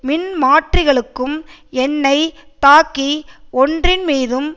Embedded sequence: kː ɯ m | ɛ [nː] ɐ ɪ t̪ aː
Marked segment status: correct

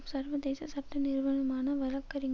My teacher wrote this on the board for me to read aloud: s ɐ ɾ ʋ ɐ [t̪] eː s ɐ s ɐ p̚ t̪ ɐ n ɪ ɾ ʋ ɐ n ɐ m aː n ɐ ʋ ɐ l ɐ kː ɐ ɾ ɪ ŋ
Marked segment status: incorrect: d̪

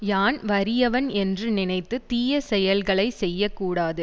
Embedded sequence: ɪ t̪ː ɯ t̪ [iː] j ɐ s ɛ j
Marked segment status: correct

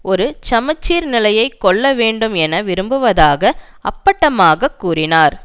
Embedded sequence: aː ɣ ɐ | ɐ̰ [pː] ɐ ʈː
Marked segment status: correct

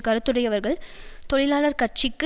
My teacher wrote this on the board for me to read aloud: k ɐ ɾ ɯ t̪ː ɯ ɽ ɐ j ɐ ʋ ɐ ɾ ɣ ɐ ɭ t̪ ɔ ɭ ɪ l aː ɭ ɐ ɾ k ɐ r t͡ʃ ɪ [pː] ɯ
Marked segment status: incorrect: kː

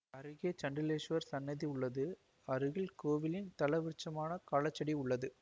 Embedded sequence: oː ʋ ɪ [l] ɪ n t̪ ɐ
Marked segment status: correct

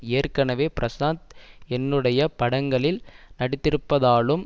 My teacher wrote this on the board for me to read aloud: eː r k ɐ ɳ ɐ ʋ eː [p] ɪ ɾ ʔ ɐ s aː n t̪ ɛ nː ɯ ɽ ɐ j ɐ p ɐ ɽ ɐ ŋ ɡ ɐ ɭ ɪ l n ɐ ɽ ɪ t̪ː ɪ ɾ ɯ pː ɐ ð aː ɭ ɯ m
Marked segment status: correct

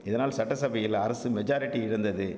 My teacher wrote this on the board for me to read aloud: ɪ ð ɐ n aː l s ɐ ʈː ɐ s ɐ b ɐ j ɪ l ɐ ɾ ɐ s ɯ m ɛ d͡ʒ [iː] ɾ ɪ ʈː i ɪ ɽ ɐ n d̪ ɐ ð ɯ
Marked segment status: incorrect: aː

